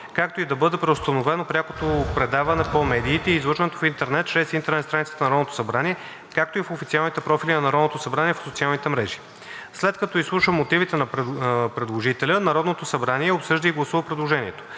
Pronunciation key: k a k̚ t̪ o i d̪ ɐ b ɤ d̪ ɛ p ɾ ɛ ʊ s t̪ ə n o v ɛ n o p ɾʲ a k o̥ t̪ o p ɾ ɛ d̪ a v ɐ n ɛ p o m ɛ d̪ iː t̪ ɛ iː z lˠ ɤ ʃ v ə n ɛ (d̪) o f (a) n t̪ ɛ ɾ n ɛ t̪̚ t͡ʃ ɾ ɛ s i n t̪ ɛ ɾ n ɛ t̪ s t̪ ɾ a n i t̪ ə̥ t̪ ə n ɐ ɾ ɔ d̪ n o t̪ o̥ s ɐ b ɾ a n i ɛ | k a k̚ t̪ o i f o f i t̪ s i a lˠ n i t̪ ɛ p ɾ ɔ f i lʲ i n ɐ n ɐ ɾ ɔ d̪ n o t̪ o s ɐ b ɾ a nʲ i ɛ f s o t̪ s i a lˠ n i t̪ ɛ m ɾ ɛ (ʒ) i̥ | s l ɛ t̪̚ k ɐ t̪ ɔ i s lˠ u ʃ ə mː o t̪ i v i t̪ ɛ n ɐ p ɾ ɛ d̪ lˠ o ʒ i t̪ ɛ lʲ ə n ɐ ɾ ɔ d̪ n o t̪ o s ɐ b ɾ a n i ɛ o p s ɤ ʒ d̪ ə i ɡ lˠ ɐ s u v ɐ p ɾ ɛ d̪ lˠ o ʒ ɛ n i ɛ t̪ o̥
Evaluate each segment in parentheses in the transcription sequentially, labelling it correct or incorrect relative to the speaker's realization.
incorrect: t̪, incorrect: i, correct

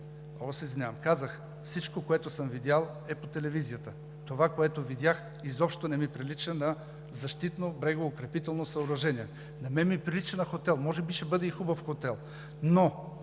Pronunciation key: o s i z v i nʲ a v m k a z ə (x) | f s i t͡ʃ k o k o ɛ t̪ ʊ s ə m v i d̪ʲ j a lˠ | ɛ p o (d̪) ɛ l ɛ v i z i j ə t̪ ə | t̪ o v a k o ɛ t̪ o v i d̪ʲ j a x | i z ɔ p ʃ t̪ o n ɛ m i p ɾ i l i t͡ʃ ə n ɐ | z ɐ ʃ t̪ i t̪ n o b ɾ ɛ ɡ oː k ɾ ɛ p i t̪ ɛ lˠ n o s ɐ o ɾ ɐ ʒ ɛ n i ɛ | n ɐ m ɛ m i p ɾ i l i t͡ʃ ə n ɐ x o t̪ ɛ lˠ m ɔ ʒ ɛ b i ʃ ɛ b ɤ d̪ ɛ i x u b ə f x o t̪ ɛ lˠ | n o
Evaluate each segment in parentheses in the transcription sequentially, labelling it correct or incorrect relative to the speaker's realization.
correct, incorrect: t̪

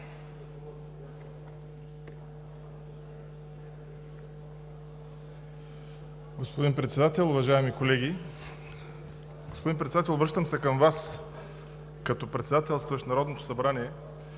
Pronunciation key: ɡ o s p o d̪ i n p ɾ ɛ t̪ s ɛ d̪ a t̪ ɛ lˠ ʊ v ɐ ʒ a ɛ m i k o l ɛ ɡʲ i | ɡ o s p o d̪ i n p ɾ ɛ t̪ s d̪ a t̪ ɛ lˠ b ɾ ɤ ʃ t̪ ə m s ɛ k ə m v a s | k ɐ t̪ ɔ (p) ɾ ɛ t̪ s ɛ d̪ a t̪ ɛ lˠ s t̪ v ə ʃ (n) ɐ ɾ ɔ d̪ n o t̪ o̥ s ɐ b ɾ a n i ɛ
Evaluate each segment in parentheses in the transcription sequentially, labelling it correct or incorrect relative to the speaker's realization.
correct, correct

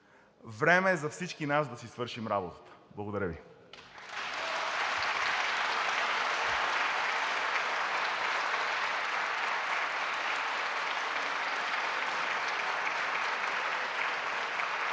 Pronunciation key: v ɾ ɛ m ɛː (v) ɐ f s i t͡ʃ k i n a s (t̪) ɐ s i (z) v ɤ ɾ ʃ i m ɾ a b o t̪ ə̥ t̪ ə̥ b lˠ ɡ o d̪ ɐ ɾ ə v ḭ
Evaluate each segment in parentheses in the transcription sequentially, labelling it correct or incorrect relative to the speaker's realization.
incorrect: z, incorrect: d̪, incorrect: s

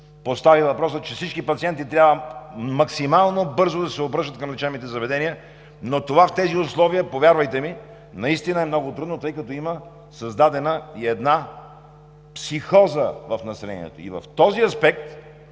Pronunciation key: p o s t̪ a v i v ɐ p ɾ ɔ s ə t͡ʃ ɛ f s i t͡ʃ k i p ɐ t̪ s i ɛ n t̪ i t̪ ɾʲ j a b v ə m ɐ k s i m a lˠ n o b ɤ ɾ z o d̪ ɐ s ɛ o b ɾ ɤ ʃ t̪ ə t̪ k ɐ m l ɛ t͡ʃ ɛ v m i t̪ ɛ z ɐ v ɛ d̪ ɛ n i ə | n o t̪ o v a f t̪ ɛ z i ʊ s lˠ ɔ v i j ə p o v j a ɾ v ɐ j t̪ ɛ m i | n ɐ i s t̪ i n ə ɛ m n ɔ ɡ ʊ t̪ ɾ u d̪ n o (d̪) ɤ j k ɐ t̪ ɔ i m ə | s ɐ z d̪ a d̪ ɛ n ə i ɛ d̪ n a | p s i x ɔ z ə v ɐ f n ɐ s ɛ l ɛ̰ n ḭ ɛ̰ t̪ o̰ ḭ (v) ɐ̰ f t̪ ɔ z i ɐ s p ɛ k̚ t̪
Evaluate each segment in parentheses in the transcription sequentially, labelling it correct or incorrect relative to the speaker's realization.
incorrect: t̪, correct

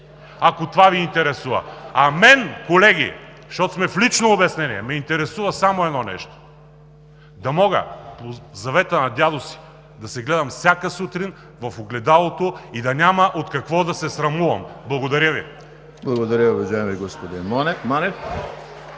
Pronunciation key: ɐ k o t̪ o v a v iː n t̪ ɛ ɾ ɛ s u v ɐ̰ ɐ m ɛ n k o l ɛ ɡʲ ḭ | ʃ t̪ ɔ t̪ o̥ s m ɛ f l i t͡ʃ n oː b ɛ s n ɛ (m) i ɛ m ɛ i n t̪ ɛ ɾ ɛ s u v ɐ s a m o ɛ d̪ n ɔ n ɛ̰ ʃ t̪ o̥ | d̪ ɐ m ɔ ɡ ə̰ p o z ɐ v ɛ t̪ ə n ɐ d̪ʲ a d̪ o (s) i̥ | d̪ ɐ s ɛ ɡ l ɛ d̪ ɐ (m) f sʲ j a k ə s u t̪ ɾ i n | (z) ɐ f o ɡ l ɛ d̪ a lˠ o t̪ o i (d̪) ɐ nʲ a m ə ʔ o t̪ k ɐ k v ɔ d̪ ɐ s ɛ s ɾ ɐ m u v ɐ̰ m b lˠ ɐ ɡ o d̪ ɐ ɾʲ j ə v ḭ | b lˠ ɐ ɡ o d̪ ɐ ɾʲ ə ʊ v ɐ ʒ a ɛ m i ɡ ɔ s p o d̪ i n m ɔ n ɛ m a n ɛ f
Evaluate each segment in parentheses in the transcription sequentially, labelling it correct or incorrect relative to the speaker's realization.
incorrect: n, correct, correct, incorrect: v, correct

